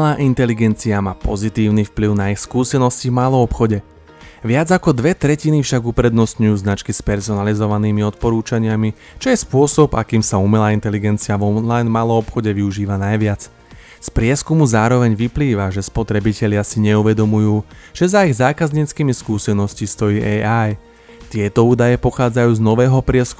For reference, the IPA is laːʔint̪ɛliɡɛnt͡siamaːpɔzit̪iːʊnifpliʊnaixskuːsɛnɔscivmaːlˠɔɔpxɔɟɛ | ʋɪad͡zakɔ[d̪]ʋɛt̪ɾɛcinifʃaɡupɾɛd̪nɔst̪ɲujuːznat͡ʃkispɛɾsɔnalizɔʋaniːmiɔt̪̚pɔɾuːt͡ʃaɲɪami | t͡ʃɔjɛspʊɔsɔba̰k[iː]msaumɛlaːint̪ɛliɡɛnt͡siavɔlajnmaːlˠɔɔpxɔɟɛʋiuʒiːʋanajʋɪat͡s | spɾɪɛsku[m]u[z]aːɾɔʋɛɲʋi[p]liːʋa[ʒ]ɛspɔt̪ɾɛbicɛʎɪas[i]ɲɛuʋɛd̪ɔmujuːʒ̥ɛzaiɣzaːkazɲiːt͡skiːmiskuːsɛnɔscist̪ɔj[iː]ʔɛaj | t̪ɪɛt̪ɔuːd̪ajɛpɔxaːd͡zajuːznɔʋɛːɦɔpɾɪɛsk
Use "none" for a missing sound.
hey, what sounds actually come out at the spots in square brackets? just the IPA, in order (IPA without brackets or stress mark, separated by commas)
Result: d̪, iː, m, z, p, ʒ, i, iː